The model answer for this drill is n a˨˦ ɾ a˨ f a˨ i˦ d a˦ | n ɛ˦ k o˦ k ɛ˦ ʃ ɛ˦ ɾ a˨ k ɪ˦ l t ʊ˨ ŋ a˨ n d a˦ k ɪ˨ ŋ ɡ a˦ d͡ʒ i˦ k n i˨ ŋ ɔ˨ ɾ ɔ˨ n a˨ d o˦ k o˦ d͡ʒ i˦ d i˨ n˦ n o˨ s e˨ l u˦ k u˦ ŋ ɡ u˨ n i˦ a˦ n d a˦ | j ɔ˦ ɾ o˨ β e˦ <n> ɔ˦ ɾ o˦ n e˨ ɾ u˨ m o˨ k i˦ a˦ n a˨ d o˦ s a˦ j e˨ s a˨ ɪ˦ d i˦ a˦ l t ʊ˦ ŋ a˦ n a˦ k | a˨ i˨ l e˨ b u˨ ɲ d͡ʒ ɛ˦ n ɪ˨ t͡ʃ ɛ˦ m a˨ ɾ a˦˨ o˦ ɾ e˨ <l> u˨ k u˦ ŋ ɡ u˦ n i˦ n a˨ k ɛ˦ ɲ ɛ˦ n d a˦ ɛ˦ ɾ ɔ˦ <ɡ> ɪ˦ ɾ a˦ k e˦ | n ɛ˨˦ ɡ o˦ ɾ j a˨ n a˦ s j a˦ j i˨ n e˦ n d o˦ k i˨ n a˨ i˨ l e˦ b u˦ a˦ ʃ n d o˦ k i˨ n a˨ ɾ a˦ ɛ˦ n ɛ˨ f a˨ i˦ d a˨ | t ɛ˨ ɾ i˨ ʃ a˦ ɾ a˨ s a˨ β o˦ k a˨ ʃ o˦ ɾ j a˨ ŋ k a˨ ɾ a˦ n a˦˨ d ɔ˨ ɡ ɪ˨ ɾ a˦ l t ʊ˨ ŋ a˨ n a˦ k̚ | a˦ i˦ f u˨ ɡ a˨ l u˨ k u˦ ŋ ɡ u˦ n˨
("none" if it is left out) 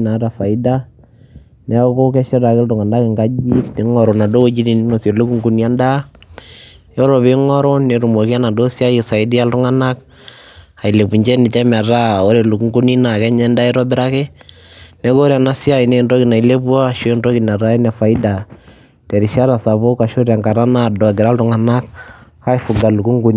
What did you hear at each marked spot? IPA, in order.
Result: ŋ, l, b

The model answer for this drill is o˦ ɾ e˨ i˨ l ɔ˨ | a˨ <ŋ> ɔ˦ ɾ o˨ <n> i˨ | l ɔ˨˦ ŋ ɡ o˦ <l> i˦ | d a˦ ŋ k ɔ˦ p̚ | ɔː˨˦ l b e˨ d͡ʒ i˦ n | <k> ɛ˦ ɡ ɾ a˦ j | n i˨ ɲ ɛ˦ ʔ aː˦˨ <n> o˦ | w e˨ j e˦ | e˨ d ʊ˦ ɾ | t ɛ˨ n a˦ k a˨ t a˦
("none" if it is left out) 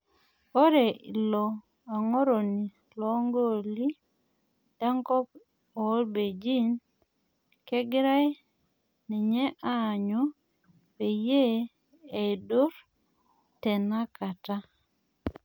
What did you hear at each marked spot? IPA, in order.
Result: ŋ, n, l, k, ɲ

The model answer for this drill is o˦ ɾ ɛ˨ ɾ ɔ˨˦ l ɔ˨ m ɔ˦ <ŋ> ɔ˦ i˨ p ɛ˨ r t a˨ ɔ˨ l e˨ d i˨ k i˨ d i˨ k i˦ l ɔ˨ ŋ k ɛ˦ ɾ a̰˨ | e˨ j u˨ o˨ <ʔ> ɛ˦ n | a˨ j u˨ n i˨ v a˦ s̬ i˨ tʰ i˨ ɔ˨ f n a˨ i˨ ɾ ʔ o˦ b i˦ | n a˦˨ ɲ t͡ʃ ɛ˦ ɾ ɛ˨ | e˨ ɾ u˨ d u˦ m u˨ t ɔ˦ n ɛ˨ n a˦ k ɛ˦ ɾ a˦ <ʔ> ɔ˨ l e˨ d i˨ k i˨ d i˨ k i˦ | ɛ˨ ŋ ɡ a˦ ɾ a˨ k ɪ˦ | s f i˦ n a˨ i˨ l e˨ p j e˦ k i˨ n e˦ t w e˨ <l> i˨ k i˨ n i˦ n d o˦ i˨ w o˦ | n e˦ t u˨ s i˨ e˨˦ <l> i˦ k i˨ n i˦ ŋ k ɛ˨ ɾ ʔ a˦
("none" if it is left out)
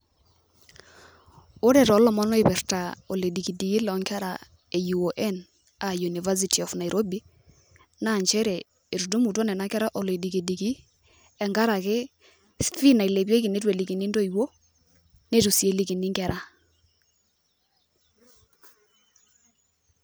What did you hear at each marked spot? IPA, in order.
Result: n, ʔ, ʔ, l, l

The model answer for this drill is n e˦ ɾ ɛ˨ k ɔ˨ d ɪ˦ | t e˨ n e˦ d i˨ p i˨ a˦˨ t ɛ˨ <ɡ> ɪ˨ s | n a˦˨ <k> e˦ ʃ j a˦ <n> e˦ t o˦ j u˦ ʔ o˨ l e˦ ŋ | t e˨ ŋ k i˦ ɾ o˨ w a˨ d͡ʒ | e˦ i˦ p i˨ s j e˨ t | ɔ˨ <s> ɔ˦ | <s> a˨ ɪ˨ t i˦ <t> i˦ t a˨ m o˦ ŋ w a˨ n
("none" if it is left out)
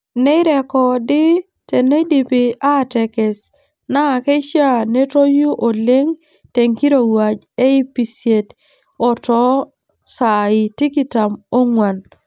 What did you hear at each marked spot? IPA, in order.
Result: k, k, n, t, s, k

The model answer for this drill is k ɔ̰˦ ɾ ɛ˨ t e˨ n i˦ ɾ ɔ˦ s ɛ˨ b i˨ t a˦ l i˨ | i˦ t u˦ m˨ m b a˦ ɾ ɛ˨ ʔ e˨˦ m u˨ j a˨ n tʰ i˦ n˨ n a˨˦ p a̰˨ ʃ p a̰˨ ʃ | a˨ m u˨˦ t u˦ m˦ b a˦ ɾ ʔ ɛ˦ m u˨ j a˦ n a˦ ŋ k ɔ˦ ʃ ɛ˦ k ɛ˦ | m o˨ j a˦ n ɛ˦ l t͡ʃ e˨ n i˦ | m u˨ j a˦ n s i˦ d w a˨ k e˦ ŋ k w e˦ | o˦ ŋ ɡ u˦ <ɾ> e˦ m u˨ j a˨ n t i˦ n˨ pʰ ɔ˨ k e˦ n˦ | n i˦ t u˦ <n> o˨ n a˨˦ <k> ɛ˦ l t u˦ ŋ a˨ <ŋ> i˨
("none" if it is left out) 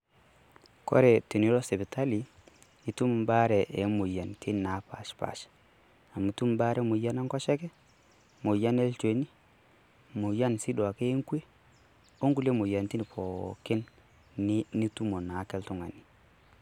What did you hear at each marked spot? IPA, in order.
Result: l, m, k, n

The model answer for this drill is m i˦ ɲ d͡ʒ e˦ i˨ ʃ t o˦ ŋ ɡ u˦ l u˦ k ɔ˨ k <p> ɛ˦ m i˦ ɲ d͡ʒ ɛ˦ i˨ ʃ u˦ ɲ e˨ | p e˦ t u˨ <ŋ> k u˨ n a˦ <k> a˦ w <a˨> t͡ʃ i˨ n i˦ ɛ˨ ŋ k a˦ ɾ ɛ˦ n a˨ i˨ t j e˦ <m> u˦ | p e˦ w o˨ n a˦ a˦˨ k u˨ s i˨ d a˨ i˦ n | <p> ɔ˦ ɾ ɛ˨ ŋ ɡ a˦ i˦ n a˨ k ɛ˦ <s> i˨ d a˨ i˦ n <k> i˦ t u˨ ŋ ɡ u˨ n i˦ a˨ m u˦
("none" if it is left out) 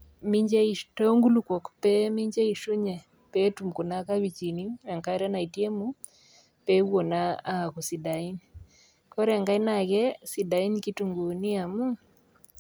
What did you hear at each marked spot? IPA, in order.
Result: p, m, k, i˨, m, k, s, k

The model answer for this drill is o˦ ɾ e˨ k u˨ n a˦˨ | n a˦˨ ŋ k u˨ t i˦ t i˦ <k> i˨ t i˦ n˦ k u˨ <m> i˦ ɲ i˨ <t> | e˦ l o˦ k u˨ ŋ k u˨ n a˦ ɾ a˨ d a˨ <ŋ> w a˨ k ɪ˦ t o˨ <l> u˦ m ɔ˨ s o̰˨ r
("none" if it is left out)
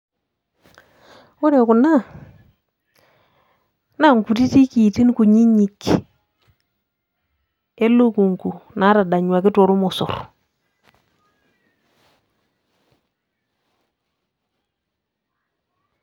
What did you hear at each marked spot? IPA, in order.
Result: k, ɲ, k, ɲ, ɾ

